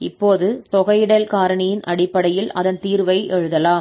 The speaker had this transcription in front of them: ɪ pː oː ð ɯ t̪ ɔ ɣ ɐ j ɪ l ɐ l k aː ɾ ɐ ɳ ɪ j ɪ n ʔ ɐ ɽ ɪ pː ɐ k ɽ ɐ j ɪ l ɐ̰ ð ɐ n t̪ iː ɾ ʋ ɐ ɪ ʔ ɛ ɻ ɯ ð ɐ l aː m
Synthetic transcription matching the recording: ɪ pː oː ð ɯ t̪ ɔ ɣ ɐ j ɪ ɽ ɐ l k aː ɾ ɐ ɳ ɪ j ɪ n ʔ ɐ ɽ ɪ pː ɐ ɽ ɐ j ɪ l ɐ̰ ð ɐ n t̪ iː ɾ ʋ ɐ ɪ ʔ ɛ ɻ ɯ ð ɐ l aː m